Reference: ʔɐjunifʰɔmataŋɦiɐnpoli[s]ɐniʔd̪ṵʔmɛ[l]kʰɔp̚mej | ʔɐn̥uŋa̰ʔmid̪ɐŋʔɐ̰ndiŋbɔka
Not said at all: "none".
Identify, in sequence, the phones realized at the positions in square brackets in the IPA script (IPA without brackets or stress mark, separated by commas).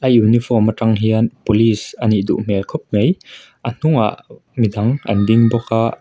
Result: s, l